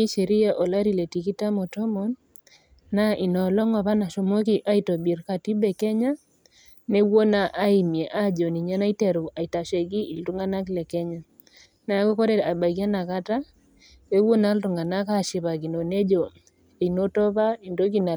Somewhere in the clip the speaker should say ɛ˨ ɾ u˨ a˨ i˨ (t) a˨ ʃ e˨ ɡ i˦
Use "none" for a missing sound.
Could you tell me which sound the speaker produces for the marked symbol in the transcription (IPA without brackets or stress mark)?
t